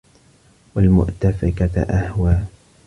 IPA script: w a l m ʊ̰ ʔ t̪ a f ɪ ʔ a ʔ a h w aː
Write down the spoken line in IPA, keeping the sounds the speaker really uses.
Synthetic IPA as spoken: w a l m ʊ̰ ʔ t̪ a f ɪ k a ʔ a h w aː